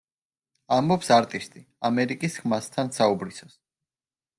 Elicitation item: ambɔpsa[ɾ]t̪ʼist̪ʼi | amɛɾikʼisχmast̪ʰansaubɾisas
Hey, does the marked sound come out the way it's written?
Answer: yes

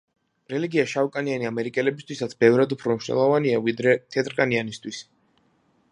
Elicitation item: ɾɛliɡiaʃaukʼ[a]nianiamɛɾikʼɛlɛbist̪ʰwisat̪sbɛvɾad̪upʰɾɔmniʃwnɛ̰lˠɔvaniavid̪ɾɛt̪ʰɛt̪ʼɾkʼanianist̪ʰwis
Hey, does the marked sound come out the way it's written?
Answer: yes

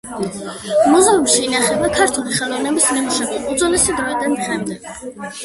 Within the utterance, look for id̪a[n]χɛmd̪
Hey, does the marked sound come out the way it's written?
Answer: yes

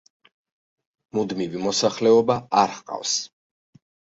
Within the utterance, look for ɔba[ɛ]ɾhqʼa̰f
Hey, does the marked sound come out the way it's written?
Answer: no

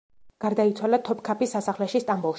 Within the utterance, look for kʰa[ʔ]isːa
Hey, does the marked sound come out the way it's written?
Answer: no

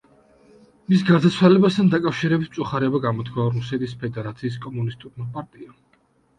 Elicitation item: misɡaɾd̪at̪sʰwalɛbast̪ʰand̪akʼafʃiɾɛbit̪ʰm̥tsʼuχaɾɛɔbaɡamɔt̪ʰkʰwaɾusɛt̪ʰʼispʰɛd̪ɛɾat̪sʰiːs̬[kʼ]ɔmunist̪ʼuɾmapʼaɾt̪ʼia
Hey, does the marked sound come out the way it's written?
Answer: yes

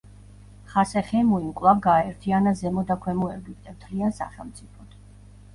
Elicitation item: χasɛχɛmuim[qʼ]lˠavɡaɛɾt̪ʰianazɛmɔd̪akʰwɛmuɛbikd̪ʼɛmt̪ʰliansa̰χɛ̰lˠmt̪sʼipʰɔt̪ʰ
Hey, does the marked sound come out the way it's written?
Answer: no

